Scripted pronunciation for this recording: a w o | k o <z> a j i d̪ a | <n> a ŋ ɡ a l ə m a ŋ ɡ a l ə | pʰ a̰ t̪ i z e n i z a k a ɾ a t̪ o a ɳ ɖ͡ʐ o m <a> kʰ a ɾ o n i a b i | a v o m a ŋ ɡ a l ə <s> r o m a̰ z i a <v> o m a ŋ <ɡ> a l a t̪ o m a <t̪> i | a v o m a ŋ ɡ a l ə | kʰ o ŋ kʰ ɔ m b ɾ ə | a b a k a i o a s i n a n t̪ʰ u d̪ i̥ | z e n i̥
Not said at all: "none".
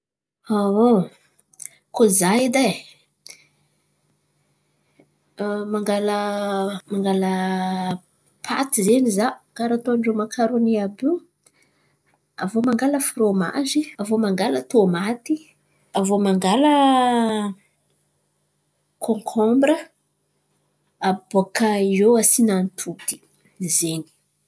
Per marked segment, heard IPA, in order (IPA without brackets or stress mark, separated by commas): z, m, a, f, v, ɡ, t̪